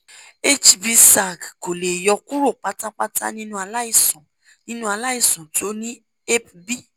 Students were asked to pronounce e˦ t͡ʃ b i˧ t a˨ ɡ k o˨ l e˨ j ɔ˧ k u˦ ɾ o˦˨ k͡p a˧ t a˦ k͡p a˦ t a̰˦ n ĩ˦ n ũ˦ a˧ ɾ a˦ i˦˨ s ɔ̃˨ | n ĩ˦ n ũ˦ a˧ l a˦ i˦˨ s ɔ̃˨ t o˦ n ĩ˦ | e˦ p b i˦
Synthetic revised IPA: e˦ t͡ʃ b i˧ s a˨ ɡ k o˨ l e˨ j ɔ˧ k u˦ ɾ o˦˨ k͡p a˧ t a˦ k͡p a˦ t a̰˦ n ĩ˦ n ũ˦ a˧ l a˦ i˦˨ s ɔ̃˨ | n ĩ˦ n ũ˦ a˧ l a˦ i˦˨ s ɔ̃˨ t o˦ n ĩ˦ | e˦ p b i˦